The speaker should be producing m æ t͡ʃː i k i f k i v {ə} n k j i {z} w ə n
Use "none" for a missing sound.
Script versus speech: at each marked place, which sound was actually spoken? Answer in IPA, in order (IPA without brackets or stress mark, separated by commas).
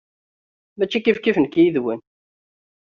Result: ə, ð